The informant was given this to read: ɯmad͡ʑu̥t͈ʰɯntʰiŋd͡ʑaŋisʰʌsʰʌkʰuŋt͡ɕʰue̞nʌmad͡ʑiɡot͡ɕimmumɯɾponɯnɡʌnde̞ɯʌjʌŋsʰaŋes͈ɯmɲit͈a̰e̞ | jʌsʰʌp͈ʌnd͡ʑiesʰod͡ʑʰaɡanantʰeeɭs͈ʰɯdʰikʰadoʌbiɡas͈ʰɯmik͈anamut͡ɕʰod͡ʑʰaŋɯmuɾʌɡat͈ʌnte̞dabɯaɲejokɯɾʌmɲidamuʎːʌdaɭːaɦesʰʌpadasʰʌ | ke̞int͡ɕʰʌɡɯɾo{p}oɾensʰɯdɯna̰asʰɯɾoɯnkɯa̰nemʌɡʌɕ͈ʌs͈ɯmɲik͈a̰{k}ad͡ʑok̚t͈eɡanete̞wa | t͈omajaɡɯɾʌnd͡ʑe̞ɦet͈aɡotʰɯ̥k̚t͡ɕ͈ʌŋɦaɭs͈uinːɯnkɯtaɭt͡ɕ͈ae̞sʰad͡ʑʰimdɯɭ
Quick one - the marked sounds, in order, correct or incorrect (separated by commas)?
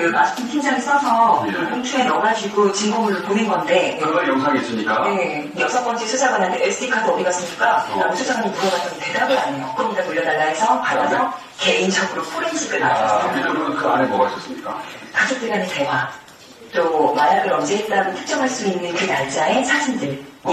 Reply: incorrect, correct